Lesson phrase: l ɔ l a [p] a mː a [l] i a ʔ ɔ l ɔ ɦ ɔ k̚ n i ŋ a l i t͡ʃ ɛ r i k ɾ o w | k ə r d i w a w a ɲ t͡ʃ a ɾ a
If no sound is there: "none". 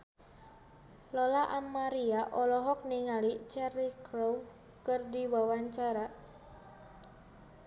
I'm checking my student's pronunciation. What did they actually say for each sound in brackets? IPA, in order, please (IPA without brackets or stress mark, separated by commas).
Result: ʔ, ɾ